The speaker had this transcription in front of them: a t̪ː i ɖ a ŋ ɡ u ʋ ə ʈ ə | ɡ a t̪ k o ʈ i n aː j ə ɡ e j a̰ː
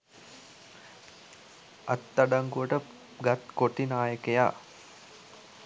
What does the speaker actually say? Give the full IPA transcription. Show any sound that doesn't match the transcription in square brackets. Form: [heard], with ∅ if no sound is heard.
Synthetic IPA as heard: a t̪ː [a] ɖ a ŋ ɡ u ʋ ə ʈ ə | ɡ a t̪ k o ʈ i n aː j ə [k] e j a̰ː